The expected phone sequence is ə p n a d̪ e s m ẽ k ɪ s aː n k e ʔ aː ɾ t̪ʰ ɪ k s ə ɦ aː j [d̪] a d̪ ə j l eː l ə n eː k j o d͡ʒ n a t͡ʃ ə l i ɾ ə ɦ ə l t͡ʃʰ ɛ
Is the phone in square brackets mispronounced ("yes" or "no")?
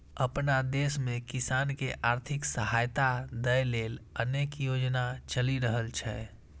yes